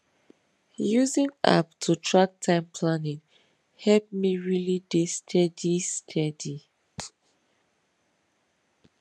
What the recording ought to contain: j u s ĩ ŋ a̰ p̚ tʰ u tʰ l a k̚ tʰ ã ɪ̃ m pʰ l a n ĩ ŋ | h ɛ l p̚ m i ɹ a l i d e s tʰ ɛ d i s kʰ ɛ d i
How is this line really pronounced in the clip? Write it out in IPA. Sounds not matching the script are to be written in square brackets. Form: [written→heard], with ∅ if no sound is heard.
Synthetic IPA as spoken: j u [s→z] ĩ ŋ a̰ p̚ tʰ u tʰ [l→ɹ] a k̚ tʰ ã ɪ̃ m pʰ l a n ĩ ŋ | h ɛ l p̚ m i ɹ [a→i] l i d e s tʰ ɛ d i s [kʰ→tʰ] ɛ d i